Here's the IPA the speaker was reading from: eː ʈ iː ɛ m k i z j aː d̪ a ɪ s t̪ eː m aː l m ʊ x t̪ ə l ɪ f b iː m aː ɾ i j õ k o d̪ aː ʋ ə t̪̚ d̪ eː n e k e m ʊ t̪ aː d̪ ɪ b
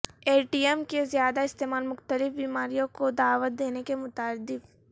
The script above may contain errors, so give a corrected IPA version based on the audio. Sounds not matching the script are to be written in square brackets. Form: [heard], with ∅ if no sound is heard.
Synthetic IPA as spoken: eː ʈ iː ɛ m k [e] z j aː d̪ a ɪ s t̪ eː m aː l m ʊ x t̪ ə l ɪ f b iː m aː ɾ i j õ k o d̪ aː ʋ ə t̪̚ d̪ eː n e k e m ʊ t̪ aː d̪ ɪ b